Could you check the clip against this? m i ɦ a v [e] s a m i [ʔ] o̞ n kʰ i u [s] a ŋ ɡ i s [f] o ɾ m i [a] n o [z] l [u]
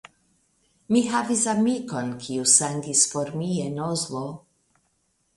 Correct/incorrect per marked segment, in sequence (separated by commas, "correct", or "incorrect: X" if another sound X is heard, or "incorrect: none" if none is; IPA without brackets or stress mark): incorrect: i, incorrect: k, correct, correct, incorrect: e, correct, incorrect: o